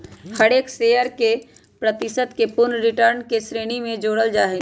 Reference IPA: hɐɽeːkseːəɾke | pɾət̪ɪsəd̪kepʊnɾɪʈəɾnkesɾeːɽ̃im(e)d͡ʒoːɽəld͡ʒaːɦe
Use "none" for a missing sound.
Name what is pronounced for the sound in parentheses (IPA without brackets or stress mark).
ẽ